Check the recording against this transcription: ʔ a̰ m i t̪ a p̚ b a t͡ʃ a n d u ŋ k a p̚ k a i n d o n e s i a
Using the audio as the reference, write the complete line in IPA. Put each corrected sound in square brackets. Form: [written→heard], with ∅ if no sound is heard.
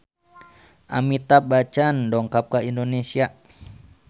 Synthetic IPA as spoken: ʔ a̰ m i t̪ a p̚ b a t͡ʃ a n d [u→ɔ] ŋ k a p̚ k a i n d o n e s i a